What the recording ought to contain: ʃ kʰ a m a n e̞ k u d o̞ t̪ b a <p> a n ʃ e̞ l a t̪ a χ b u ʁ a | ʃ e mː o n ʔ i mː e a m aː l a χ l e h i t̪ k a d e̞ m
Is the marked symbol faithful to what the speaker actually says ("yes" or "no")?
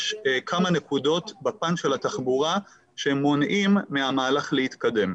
yes